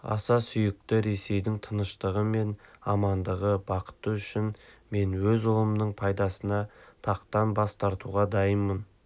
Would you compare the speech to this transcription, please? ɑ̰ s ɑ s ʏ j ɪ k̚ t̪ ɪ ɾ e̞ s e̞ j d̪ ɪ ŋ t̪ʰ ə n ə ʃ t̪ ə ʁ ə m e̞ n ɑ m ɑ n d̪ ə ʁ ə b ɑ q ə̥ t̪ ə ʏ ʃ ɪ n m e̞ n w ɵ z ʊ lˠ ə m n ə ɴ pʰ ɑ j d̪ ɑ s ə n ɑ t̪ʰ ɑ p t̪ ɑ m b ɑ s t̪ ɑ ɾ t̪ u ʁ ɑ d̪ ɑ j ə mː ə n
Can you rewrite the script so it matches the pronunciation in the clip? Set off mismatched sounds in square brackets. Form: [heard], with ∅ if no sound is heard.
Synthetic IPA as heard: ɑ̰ s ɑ s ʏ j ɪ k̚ t̪ ɪ ɾ e̞ s e̞ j d̪ ɪ ŋ t̪ʰ ə n ə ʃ t̪ ə ʁ ə m e̞ n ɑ m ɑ n d̪ ə ʁ ə b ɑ q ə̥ t̪ ə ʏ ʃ ɪ n m e̞ n w ɵ z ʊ lˠ ə m n ə ɴ pʰ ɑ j d̪ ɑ s ə n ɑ t̪ʰ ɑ [q] t̪ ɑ [n] b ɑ s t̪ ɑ ɾ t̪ u ʁ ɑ d̪ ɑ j ə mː ə n